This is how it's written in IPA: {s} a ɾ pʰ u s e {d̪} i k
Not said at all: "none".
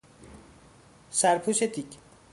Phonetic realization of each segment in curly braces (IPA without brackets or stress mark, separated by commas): s, t̪